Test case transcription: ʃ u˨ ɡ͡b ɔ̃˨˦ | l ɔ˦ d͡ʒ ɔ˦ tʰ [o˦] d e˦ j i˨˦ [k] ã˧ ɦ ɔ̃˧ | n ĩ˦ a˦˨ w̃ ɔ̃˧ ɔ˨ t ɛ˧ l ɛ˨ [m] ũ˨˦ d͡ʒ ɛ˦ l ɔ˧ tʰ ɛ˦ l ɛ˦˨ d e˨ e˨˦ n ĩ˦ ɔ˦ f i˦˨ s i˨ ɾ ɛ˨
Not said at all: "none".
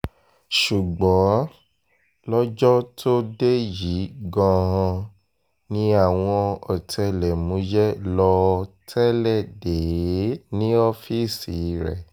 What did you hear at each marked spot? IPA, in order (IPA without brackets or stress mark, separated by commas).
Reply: o˦, ɡ, m